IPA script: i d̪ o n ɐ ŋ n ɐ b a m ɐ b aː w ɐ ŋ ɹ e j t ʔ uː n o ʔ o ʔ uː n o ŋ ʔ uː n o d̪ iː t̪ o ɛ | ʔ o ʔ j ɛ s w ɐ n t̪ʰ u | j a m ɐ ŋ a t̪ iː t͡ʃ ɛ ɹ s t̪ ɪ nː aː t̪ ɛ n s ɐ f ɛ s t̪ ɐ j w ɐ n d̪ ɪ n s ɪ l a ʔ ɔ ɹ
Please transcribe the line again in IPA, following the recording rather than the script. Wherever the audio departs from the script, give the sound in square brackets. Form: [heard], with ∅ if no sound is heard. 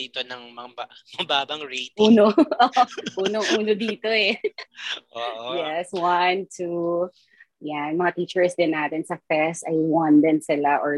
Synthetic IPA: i [t̪] o n ɐ ŋ [m] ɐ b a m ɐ b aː [b] ɐ ŋ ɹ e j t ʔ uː n o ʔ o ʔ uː n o ŋ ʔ uː n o d̪ iː t̪ o ɛ | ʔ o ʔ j ɛ s w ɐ n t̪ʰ u | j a m ɐ ŋ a t̪ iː t͡ʃ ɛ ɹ s [d̪] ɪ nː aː t̪ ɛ n s ɐ f ɛ s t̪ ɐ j w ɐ n d̪ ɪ n s ɪ l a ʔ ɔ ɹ